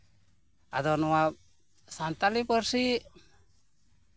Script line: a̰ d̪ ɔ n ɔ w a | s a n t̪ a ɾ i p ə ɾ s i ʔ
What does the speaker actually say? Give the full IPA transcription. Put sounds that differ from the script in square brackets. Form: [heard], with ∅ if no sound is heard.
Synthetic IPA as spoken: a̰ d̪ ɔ n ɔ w a | s a n t̪ a [l] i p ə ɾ s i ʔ